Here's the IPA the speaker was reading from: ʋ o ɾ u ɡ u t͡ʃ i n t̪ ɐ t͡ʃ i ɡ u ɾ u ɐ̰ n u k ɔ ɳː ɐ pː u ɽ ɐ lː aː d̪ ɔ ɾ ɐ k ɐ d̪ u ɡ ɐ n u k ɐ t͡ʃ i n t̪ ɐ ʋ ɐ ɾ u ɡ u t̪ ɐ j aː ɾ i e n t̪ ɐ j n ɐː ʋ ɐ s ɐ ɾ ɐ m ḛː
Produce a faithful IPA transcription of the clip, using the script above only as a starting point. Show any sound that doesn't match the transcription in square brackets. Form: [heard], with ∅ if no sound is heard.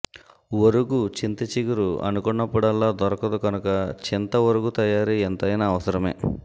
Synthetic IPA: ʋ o ɾ u ɡ u t͡ʃ i n t̪ ɐ t͡ʃ i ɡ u ɾ u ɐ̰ n u k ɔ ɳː ɐ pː u ɽ ɐ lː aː d̪ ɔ ɾ ɐ k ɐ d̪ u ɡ ɐ n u k ɐ t͡ʃ i n t̪ ɐ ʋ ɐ ɾ u ɡ u t̪ ɐ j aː ɾ i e n t̪ ɐ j n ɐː ʋ ɐ s ɐ ɾ ɐ m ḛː